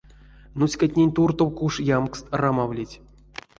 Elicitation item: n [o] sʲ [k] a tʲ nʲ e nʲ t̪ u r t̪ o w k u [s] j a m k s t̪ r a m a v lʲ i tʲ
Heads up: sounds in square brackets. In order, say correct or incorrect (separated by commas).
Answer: incorrect, correct, incorrect